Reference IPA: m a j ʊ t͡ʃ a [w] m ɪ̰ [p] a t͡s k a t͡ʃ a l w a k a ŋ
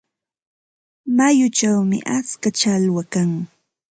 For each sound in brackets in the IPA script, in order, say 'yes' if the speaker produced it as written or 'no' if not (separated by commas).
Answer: yes, no